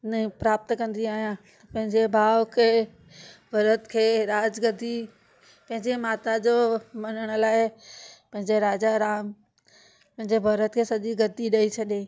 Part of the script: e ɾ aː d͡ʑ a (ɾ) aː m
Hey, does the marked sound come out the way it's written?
yes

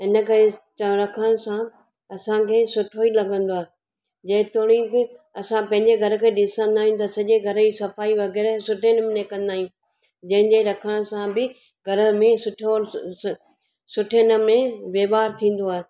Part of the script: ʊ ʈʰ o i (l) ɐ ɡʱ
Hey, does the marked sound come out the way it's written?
yes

